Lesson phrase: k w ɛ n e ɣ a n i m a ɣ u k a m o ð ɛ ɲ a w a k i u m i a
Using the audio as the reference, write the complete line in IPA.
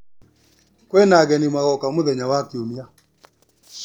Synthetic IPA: k w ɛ n a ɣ ɛ n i m a ɣ ɔ k a m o ð ɛ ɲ a w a k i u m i a